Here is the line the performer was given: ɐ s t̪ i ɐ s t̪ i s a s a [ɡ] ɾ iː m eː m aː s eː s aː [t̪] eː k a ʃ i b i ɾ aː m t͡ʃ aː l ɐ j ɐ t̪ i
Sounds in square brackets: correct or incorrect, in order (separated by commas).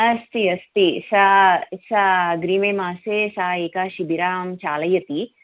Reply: correct, incorrect